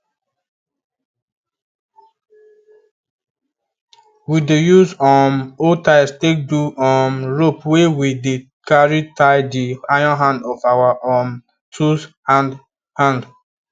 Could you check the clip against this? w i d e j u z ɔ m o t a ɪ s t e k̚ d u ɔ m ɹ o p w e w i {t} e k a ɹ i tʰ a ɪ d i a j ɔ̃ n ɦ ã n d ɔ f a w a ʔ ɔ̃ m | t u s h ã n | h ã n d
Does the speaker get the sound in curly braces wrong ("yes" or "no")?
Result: yes